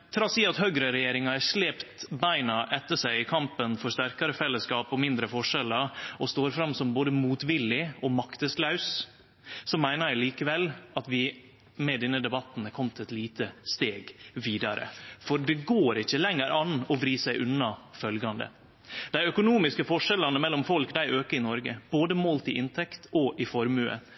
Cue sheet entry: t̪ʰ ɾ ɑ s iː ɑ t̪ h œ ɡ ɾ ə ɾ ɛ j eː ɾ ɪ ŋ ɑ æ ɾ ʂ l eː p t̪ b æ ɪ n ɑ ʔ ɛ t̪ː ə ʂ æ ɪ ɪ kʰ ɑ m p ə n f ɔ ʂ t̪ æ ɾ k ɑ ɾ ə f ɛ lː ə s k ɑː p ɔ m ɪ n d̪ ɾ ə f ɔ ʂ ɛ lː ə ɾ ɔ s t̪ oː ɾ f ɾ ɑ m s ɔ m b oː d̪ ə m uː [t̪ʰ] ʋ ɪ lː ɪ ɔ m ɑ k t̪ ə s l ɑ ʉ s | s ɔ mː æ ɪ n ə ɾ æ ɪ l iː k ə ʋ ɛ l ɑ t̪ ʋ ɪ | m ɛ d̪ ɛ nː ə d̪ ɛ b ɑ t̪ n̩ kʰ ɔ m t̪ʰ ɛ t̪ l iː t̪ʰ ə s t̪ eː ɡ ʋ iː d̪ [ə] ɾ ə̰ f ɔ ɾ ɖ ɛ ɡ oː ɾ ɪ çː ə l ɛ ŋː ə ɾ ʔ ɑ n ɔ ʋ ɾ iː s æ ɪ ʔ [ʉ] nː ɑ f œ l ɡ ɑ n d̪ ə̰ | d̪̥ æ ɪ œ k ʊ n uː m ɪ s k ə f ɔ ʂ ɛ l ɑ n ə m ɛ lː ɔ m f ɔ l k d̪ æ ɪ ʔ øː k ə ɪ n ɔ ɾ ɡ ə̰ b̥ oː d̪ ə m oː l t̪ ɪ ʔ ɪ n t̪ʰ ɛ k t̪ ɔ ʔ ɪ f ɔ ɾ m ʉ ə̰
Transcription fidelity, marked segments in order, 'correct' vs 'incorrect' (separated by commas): incorrect, incorrect, correct